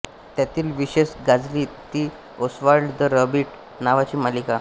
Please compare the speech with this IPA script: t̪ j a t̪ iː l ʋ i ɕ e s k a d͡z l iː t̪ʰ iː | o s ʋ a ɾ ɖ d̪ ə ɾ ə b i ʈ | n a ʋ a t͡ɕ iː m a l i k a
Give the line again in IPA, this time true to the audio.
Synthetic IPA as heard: t̪ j a t̪ iː l ʋ i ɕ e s ɡ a d͡z l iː t̪ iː | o s ʋ a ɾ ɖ d̪ ə ɾ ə b i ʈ | n a ʋ a t͡ɕ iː m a l i k a